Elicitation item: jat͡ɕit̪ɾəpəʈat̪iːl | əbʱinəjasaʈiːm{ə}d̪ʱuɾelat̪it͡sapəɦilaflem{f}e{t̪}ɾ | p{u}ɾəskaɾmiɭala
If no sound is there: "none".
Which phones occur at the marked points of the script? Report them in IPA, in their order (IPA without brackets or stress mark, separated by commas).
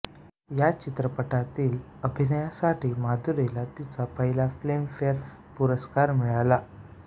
a, f, none, u